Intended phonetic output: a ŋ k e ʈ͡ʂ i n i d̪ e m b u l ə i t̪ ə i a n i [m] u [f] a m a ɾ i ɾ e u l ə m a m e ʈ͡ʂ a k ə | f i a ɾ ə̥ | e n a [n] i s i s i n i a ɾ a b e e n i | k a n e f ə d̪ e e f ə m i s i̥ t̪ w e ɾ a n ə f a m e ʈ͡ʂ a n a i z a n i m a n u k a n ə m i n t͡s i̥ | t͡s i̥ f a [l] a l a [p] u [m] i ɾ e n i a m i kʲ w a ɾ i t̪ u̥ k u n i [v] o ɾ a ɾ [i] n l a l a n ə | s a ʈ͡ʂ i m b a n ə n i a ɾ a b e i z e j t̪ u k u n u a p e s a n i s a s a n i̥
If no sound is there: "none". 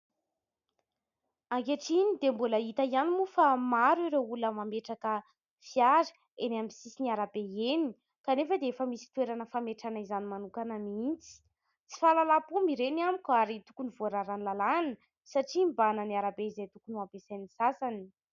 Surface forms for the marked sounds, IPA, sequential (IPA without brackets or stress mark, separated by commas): m, f, m, l, p, m, v, a